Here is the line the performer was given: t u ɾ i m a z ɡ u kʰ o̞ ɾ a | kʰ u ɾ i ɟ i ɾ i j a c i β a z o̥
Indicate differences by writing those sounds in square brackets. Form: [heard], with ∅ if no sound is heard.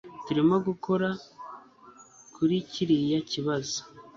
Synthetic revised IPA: t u ɾ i m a [∅] ɡ u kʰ o̞ ɾ a | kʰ u ɾ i [c] i ɾ i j a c i β a z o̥